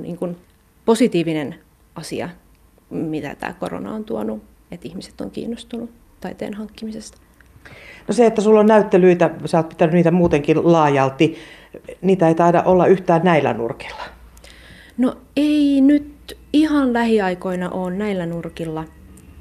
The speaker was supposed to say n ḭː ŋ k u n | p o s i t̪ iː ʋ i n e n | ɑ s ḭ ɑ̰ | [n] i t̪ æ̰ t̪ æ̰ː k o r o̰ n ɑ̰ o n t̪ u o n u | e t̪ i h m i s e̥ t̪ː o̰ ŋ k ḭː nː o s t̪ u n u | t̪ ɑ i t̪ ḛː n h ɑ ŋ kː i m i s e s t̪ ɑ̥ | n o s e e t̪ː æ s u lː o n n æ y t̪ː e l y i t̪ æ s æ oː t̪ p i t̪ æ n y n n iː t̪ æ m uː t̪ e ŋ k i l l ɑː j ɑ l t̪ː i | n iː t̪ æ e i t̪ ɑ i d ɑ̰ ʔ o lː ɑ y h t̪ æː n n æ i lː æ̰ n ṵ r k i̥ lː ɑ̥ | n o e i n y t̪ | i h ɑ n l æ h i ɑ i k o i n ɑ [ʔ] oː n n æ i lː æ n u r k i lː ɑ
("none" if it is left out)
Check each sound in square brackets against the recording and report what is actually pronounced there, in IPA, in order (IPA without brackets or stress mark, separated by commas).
m, ʔ